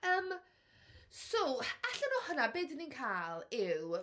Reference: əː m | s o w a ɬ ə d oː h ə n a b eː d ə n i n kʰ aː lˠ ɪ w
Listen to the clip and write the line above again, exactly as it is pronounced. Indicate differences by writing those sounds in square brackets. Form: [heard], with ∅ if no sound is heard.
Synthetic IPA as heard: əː m | s o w a ɬ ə [n] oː h ə n a b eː d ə n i n kʰ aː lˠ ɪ w